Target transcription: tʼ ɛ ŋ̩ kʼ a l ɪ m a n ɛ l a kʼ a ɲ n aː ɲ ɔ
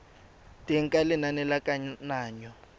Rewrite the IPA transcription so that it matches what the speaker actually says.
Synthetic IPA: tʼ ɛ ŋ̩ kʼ a l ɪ n a n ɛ l a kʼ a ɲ n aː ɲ ɔ

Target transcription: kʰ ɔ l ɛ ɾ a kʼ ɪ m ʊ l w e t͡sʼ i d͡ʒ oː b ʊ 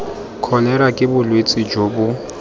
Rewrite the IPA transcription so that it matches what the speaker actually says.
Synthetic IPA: kʰ ɔ l ɛ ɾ a kʼ ɪ b ʊ l w e t͡sʼ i d͡ʒ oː b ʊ

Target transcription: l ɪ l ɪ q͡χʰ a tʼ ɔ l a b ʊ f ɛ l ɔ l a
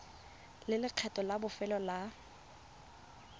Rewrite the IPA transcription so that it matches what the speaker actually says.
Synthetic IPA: l ɪ l ɪ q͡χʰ ɛ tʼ ɔ l a b ʊ f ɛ l ɔ l a

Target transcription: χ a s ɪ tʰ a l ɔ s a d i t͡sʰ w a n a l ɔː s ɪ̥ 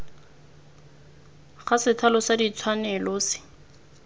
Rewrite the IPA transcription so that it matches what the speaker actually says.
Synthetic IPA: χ a s ɪ tʰ a l ɔ s a d i t͡sʰ w a n ɛ l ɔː s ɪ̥

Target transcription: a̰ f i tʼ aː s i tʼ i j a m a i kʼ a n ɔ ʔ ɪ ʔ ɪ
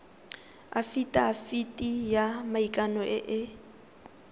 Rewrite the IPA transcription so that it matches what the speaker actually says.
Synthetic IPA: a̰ f i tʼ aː f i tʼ i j a m a i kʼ a n ɔ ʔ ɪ ʔ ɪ

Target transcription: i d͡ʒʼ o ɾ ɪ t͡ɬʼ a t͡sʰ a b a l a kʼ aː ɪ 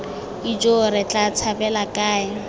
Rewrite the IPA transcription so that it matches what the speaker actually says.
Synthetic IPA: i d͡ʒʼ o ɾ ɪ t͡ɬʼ a t͡sʰ a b ɛ l a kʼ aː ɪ

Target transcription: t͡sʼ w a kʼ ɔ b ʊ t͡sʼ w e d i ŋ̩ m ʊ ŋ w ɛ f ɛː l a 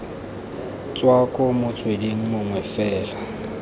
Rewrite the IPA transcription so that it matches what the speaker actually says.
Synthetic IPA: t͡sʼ w a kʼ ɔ m ʊ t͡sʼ w e d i ŋ̩ m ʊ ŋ w ɛ f ɛː l a

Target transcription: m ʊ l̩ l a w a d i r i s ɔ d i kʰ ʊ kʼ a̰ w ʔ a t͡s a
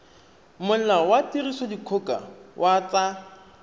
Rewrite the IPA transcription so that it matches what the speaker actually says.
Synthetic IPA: m ʊ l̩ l a w a t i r i s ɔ d i kʰ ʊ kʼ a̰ w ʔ a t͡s a

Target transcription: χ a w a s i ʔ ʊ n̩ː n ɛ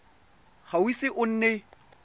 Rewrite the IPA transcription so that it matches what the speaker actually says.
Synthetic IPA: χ a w i s ɪ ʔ ʊ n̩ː n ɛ

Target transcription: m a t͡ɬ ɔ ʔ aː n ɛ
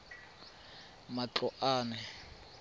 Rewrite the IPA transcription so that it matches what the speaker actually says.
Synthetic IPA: m a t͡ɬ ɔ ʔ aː n ɛ

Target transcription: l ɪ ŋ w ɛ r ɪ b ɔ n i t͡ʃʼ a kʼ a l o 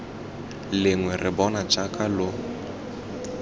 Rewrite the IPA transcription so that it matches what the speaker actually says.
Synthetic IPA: l ɪ ŋ w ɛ r ɪ b ɔ n a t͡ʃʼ a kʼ a l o

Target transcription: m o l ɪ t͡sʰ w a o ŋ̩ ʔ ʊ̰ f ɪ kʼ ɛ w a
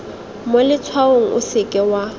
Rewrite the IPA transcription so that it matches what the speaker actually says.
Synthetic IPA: m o l ɪ t͡sʰ w a o ŋ̩ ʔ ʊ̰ s ɪ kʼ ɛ w a

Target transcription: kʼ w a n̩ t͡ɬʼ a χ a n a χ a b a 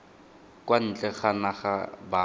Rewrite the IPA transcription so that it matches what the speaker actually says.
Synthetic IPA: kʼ w a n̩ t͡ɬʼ ɛ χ a n a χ a b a

